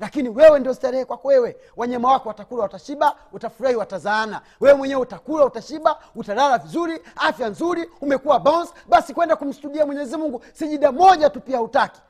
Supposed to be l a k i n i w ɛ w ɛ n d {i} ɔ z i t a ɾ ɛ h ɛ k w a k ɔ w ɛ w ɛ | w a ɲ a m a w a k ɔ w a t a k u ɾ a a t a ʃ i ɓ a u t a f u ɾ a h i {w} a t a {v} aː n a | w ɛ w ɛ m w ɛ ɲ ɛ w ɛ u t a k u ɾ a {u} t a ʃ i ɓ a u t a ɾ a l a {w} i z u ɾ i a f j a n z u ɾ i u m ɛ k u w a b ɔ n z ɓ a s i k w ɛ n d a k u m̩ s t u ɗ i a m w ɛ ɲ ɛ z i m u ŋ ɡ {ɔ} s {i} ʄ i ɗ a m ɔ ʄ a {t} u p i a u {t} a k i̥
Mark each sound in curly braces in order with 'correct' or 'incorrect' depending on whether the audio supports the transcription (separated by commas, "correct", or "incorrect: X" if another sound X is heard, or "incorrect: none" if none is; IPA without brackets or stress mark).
correct, correct, incorrect: z, correct, incorrect: v, incorrect: u, correct, correct, correct